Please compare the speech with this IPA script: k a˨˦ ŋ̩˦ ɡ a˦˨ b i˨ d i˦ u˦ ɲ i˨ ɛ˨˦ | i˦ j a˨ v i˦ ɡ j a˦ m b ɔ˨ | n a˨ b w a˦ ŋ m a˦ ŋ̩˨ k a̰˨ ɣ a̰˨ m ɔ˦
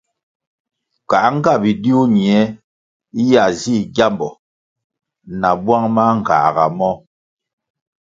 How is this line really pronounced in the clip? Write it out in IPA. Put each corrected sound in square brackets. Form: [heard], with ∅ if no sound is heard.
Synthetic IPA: k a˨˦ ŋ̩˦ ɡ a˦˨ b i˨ d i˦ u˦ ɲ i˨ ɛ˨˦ | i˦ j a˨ [z] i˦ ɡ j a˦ m b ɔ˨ | n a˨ b w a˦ ŋ m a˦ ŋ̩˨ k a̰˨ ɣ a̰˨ m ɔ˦

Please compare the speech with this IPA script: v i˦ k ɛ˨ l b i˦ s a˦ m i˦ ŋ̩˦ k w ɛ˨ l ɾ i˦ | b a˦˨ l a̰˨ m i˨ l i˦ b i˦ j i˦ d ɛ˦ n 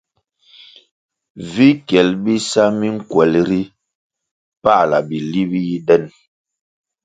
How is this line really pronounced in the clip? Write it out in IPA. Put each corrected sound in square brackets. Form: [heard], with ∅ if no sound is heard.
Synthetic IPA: v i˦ k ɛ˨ l b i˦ s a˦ m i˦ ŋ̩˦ k w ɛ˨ l ɾ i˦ | [p] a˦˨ l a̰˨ [b] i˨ l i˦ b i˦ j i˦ d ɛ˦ n

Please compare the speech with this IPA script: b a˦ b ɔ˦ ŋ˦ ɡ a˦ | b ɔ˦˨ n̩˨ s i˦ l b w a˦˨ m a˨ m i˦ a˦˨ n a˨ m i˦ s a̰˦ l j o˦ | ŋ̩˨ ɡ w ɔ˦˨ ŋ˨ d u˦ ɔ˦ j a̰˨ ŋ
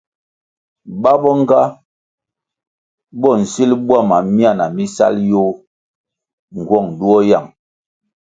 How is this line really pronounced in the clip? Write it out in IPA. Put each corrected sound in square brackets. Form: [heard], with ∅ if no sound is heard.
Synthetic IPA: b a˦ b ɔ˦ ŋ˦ ɡ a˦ | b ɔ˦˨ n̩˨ s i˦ l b w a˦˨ m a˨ m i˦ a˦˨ n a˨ m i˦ s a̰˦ l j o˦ | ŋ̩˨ ɡ w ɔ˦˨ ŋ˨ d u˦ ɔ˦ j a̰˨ ŋ

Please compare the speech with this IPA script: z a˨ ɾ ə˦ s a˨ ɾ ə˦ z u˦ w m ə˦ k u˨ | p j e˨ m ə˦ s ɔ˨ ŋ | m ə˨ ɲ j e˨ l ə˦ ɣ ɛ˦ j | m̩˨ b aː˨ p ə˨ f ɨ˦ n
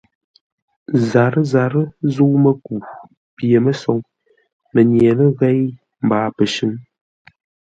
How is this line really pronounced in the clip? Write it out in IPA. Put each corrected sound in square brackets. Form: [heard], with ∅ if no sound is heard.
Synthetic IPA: z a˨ ɾ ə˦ [z] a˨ ɾ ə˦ z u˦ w m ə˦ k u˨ | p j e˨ m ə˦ s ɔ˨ ŋ | m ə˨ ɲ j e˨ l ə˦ ɣ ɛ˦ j | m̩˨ b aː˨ p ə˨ [ʃ] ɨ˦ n

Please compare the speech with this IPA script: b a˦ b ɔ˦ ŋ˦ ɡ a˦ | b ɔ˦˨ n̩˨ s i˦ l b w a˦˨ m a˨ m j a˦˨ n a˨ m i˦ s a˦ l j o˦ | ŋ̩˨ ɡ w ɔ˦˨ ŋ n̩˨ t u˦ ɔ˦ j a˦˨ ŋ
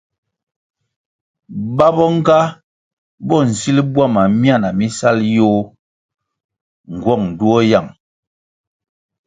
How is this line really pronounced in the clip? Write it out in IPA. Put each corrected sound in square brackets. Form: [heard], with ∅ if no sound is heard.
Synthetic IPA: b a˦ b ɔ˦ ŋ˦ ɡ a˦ | b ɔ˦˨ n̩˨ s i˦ l b w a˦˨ m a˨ m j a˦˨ n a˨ m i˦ s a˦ l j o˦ | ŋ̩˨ ɡ w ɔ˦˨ ŋ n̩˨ [d] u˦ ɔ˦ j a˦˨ ŋ

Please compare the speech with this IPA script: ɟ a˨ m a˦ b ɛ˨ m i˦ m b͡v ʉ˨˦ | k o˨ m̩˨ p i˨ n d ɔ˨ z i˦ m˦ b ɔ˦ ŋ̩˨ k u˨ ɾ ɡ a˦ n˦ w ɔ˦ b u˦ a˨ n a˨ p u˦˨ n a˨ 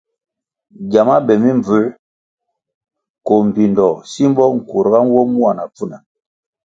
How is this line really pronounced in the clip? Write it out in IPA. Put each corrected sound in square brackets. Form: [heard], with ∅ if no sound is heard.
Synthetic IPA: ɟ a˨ m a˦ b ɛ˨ m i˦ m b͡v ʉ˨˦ | k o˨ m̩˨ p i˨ n d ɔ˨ [s] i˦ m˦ b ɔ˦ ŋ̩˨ k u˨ ɾ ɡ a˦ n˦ w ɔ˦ [m] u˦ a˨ n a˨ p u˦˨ n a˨

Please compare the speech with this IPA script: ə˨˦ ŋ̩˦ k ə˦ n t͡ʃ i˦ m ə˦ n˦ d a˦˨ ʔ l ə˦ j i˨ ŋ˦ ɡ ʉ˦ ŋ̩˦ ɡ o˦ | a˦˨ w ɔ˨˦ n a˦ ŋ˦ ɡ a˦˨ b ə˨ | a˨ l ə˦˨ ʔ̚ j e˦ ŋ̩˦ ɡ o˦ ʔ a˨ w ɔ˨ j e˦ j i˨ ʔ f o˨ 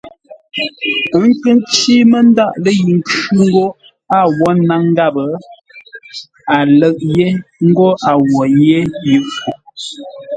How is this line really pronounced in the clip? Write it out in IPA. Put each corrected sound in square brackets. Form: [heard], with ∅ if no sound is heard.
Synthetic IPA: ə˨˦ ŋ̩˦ k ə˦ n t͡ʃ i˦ m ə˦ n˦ d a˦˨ ʔ l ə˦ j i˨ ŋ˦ [k] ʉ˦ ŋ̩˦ ɡ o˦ | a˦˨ w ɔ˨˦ n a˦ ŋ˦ ɡ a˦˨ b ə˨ | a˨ l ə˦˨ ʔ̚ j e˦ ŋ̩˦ ɡ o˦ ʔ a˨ w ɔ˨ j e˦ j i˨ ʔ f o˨

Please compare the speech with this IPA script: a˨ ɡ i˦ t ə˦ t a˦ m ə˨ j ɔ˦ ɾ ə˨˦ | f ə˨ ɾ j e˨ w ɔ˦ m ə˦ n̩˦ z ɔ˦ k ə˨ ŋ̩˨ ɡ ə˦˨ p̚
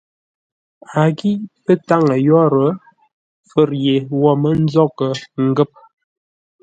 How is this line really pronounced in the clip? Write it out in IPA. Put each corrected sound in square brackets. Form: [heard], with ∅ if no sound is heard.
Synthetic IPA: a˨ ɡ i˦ [p] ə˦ t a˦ [ŋ] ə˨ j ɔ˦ ɾ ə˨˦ | f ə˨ ɾ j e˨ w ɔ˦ m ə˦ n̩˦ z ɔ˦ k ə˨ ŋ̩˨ ɡ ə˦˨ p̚

